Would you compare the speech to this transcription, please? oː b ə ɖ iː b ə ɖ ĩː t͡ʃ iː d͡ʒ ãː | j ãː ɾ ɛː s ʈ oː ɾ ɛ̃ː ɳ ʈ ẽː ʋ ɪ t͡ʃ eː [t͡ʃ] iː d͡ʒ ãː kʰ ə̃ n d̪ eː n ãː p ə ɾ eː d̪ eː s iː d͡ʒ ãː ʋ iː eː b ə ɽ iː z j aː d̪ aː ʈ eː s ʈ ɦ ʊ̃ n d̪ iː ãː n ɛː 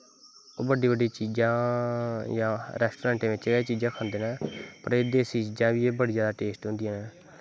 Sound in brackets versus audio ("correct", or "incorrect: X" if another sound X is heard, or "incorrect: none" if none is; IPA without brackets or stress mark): correct